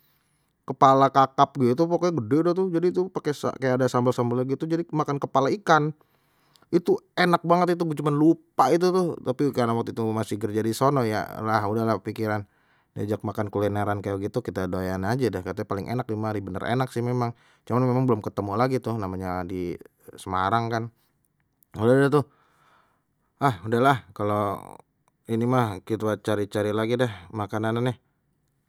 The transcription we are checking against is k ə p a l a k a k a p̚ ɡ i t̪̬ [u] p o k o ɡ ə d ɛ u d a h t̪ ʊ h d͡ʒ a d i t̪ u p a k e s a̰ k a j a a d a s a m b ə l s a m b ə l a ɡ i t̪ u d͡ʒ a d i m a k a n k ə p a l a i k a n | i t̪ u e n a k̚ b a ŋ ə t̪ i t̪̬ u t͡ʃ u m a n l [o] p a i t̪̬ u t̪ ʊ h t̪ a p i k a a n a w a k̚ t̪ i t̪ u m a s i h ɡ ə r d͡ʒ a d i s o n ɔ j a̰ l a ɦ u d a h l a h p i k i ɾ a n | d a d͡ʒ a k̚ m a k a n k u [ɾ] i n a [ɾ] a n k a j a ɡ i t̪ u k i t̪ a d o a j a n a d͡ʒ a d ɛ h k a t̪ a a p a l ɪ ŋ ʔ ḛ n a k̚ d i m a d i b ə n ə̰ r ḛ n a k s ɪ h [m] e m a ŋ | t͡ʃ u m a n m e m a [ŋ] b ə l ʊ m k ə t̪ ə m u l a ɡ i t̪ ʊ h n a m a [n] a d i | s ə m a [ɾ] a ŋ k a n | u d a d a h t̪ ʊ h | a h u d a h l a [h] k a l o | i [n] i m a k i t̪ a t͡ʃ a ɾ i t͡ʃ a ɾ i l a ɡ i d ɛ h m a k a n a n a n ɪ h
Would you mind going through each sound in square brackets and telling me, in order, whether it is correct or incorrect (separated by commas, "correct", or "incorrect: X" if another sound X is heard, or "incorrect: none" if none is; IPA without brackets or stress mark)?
correct, incorrect: u, incorrect: l, correct, correct, correct, incorrect: ɲ, correct, correct, correct